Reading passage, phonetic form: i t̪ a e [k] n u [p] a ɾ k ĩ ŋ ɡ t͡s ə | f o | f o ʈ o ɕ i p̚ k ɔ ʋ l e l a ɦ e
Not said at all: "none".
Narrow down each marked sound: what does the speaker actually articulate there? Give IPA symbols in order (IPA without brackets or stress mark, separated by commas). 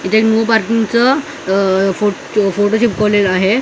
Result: k, p